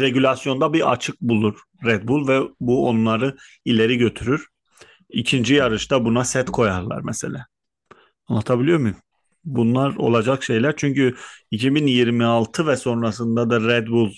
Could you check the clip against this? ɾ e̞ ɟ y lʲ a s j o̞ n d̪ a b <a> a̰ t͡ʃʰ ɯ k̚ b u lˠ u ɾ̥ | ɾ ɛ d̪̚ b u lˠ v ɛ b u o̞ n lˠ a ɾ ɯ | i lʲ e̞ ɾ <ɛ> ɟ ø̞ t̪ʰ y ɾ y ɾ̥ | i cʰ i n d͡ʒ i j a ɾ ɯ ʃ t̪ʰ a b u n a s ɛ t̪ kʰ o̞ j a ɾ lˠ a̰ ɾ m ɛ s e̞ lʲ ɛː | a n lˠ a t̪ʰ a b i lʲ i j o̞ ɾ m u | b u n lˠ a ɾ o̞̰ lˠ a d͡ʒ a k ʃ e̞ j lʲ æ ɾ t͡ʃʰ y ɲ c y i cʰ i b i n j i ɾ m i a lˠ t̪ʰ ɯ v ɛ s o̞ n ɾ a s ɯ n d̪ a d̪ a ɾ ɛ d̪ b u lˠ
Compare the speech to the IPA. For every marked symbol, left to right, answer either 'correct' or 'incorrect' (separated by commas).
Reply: incorrect, incorrect